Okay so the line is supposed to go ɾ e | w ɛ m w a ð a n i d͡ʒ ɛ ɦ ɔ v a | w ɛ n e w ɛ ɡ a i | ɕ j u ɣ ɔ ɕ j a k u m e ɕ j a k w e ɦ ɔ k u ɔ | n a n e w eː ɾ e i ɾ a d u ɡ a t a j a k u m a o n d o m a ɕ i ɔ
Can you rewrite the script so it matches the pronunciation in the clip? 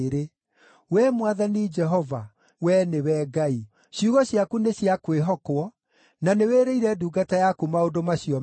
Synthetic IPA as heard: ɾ e | w ɛ m w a ð a n i d͡ʒ ɛ ɦ ɔ v a | w ɛ n e w ɛ ɡ a i | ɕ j u ɣ ɔ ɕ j a k u n e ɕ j a k w e ɦ ɔ k w ɔ | n a n e w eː ɾ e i ɾ ɛ d u ɡ a t a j a k u m a o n d o m a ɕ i ɔ